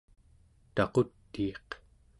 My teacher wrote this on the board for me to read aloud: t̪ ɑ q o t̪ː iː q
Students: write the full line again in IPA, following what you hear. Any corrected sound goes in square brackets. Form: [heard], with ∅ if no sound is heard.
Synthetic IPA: t̪ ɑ q o t̪ː iː q